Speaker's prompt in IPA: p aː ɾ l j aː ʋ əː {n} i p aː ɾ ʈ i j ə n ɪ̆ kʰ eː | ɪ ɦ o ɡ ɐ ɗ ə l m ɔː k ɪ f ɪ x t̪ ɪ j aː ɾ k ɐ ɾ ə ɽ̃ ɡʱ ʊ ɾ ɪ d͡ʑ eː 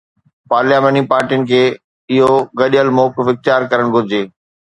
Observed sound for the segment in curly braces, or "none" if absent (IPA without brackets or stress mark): n